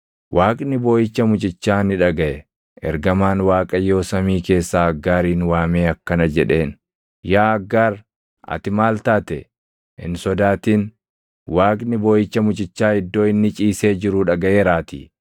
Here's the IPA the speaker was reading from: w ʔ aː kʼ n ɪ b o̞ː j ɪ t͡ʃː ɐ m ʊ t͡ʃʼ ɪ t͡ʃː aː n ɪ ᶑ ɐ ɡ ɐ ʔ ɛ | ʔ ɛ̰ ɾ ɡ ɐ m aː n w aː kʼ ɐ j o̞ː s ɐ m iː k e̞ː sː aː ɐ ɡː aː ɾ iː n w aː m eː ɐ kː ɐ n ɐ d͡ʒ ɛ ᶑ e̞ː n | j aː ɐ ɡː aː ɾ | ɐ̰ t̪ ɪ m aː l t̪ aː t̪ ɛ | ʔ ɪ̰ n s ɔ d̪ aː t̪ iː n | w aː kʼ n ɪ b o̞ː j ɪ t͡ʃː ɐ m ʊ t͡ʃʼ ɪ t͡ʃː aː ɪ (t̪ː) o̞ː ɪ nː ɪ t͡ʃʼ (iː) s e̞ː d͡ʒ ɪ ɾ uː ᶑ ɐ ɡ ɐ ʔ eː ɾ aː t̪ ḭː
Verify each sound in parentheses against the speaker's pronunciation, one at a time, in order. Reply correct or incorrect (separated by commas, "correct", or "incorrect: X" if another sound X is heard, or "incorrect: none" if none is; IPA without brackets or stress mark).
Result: incorrect: d̪ː, correct